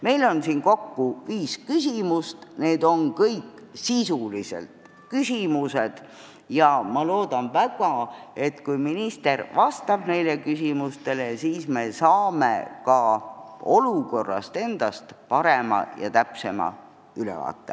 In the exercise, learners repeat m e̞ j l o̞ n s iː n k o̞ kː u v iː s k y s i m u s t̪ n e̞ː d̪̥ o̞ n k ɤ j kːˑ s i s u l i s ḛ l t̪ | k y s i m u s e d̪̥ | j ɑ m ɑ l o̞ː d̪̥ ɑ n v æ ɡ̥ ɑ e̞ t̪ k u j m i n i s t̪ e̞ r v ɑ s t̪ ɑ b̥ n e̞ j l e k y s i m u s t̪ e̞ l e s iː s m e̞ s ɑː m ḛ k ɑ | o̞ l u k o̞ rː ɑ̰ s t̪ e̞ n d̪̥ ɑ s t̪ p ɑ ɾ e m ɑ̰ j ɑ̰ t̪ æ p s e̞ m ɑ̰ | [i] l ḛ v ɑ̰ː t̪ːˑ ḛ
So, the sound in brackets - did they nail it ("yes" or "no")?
no